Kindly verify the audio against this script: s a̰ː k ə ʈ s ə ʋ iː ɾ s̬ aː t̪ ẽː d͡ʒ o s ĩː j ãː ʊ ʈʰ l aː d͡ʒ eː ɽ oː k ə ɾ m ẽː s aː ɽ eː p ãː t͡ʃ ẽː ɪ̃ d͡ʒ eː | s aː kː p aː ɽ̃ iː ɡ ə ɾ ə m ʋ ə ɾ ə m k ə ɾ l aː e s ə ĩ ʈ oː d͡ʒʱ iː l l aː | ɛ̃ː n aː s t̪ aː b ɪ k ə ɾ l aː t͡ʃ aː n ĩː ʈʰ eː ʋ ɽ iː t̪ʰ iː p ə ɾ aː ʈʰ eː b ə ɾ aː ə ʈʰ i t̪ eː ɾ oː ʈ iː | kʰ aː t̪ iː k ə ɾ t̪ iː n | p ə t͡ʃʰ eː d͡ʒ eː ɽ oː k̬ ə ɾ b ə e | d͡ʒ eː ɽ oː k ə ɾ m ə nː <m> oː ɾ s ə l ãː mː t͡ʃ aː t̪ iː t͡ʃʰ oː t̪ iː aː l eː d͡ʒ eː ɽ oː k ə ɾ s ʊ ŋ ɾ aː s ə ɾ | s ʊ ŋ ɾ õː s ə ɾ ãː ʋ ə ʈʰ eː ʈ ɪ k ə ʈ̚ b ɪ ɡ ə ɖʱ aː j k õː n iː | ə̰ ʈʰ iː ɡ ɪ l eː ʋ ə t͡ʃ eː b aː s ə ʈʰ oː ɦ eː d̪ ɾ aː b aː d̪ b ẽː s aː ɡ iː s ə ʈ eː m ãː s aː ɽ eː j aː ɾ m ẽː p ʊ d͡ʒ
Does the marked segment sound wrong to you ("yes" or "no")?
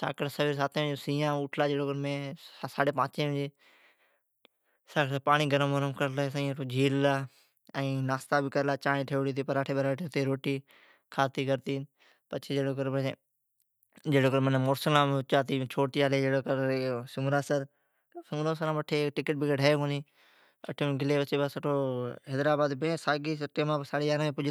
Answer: no